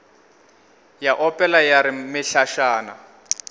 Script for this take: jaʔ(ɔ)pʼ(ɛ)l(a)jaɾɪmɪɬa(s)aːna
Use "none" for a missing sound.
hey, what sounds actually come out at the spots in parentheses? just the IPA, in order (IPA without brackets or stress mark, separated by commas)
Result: ɔ, ɛ, a, ʃ